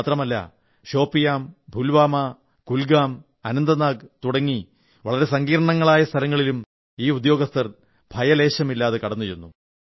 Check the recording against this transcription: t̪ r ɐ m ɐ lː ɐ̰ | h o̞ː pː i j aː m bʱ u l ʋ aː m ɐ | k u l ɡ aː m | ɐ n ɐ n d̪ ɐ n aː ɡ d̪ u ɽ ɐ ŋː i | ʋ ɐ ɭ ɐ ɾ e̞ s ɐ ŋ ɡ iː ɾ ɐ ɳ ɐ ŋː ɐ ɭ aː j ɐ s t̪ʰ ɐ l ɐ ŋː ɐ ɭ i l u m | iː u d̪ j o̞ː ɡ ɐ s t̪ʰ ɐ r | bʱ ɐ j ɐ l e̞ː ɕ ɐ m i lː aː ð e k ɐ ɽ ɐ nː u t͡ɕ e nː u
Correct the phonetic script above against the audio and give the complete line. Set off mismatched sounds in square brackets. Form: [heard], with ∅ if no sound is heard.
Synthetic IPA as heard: t̪ r ɐ m ɐ lː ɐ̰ | [ɕ] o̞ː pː i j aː m bʱ u l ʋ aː m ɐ | k u l ɡ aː m | ɐ n ɐ n d̪ ɐ n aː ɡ [t̪] u ɽ ɐ ŋː i | ʋ ɐ ɭ ɐ ɾ e̞ s ɐ ŋ ɡ iː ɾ ɐ ɳ ɐ ŋː ɐ ɭ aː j ɐ s t̪ʰ ɐ l ɐ ŋː ɐ ɭ i l u m | iː u d̪ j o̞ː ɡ ɐ s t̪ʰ ɐ r | bʱ ɐ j ɐ l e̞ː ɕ ɐ m i lː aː ð e k ɐ ɽ ɐ nː u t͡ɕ e nː u

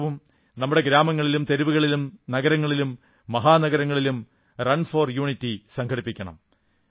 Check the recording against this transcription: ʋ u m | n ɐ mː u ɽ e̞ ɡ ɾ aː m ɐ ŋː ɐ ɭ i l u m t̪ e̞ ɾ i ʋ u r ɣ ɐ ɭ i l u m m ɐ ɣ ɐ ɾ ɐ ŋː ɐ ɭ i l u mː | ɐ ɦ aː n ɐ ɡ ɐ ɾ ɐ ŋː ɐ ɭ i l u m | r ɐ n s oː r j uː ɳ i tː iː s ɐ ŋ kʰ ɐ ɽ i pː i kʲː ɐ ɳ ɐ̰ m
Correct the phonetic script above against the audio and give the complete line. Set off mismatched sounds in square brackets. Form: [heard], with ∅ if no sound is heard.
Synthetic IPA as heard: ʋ u m | n ɐ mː u ɽ e̞ ɡ ɾ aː m ɐ ŋː ɐ ɭ i l u m t̪ e̞ ɾ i ʋ u [∅] ɣ ɐ ɭ i l u m [n] ɐ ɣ ɐ ɾ ɐ ŋː ɐ ɭ i l u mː | ɐ ɦ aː n ɐ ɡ ɐ ɾ ɐ ŋː ɐ ɭ i l u m | r ɐ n [f] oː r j uː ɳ i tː [i] s ɐ ŋ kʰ ɐ ɽ i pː i kʲː ɐ ɳ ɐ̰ m

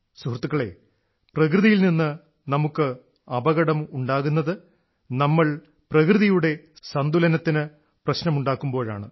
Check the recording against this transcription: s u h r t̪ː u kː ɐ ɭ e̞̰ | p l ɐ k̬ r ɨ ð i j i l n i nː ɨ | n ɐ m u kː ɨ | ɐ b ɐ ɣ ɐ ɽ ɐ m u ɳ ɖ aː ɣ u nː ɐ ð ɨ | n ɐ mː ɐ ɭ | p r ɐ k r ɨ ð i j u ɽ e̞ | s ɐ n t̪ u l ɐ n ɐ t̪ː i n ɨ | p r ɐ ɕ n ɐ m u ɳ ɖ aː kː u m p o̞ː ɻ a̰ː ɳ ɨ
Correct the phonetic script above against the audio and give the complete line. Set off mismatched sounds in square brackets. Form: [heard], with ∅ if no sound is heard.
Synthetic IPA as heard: s u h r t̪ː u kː ɐ ɭ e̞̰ | p [r] ɐ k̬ r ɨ ð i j i l n i nː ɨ | n ɐ m u kː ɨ | ɐ b ɐ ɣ ɐ ɽ ɐ m u ɳ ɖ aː ɣ u nː ɐ ð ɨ | n ɐ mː ɐ ɭ | p r ɐ k r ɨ ð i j u ɽ e̞ | s ɐ n [d̪] u l ɐ n ɐ t̪ː i n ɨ | p r ɐ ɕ n ɐ m u ɳ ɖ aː kː u m [b] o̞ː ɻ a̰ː ɳ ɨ

